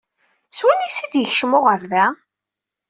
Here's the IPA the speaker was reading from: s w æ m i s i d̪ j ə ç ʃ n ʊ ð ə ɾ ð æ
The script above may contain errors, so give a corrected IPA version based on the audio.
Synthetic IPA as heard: s w æ n i s i d̪ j ə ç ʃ m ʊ ʁ ə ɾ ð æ